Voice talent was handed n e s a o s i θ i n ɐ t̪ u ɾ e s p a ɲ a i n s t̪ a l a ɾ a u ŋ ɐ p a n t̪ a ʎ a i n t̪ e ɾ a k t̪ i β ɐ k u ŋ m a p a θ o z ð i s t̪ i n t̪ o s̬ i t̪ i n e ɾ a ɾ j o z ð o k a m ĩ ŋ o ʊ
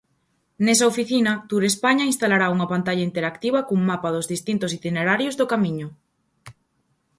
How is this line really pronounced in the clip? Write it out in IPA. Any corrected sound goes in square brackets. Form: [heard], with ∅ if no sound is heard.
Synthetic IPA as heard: n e s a o [f] i θ i n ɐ t̪ u ɾ e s p a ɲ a i n s t̪ a l a ɾ a u ŋ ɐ p a n t̪ a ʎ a i n t̪ e ɾ a k t̪ i β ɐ k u ŋ m a p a [ð] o z ð i s t̪ i n t̪ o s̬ i t̪ i n e ɾ a ɾ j o z ð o k a m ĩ [ɲ] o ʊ